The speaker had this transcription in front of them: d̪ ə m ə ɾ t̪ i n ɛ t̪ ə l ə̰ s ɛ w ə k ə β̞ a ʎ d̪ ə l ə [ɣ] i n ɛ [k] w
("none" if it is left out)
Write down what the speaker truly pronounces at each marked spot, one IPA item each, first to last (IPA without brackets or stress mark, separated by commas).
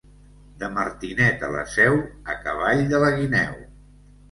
ɣ, none